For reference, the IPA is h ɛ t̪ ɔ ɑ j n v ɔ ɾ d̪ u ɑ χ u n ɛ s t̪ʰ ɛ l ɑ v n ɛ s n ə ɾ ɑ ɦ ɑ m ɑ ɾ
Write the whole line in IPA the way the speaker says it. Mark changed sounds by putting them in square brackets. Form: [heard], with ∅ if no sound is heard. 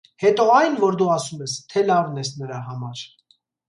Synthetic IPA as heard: h ɛ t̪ ɔ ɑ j n v ɔ ɾ d̪ u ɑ [s] u [m] ɛ s t̪ʰ ɛ l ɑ v n ɛ s n ə ɾ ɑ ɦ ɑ m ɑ ɾ